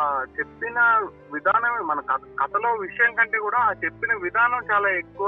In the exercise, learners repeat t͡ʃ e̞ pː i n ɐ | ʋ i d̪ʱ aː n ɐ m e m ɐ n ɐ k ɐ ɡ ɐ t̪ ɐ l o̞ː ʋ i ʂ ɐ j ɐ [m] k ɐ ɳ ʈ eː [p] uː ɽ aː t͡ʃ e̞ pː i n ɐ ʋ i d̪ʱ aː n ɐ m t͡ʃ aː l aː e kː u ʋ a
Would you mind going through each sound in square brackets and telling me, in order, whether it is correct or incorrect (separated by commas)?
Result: incorrect, incorrect